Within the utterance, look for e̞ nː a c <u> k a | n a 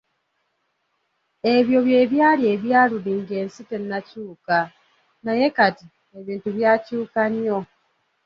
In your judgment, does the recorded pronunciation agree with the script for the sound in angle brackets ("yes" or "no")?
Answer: no